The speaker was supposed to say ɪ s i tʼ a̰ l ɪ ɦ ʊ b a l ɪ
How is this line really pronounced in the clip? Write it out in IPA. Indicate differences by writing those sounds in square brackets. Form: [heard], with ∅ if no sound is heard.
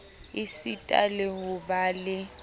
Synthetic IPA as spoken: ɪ s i tʼ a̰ l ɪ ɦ ʊ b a l ɪ